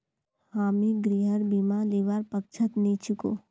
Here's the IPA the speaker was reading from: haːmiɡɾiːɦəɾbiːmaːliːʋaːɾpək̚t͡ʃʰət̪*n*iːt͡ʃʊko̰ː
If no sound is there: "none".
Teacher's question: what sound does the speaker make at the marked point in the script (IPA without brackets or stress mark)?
n